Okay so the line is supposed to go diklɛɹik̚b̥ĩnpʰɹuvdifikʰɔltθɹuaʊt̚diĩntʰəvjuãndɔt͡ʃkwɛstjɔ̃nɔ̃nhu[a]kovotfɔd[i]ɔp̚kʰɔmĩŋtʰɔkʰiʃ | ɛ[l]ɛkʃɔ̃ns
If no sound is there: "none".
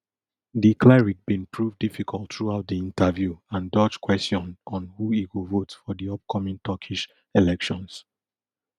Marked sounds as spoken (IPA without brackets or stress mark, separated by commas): i, i, l